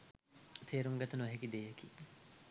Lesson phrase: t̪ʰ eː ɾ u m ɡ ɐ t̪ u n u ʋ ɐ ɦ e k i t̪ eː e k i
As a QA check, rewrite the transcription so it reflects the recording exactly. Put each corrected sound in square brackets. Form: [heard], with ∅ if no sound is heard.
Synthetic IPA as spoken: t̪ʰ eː ɾ u [ŋ] ɡ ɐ t̪ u n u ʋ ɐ ɦ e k i [d̪] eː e k i